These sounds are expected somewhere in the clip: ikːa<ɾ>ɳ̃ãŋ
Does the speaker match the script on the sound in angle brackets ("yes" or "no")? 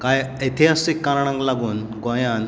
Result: yes